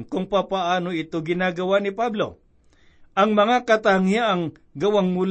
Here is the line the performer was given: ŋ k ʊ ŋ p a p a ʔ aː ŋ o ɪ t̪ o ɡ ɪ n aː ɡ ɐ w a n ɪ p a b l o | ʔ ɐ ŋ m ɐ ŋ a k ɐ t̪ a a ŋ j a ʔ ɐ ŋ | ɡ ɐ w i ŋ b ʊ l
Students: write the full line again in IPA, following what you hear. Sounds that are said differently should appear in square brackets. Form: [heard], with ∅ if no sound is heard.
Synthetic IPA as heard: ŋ k ʊ ŋ p a p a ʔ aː [n] o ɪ t̪ o ɡ ɪ n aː ɡ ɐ w a n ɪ p a b l o | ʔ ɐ ŋ m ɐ ŋ a k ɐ t̪ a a ŋ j a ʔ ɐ ŋ | ɡ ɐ w [a] ŋ [m] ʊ l